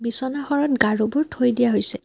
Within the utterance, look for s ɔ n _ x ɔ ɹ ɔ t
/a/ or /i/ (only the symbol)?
a